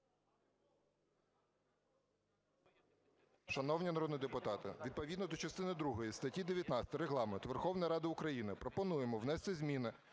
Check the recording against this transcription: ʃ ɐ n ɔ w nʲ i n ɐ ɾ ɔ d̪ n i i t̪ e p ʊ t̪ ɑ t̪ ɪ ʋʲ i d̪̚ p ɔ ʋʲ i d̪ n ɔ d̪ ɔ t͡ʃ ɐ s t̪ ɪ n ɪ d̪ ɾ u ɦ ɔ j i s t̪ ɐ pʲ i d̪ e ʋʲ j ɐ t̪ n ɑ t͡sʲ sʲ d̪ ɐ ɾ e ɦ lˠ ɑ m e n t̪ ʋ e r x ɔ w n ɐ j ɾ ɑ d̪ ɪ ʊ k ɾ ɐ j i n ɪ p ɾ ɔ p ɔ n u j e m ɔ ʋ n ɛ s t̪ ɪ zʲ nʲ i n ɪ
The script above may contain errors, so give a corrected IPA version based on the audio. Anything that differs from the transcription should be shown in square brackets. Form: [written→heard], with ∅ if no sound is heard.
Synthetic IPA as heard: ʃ ɐ n ɔ w nʲ i n ɐ ɾ ɔ d̪ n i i [t̪→d̪] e p ʊ t̪ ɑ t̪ ɪ ʋʲ i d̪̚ p ɔ ʋʲ i d̪ n ɔ d̪ ɔ t͡ʃ ɐ s t̪ ɪ n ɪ d̪ ɾ u ɦ ɔ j i s t̪ ɐ [pʲ→tʲ] i d̪ e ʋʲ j ɐ t̪ n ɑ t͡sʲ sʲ [d̪→t̪] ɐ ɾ e ɦ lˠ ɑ m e n t̪ ʋ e r x ɔ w n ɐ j ɾ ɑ d̪ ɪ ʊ k ɾ ɐ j i n ɪ p ɾ ɔ p ɔ n u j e m ɔ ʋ n ɛ s t̪ ɪ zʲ [nʲ→mʲ] i n ɪ